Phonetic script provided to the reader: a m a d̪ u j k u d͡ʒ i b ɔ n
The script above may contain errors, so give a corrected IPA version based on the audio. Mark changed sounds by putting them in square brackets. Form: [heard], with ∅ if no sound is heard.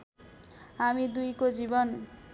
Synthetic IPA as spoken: a m [i] d̪ u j k [o] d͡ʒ i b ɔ n